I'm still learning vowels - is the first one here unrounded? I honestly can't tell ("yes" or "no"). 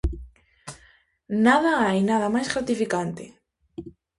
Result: yes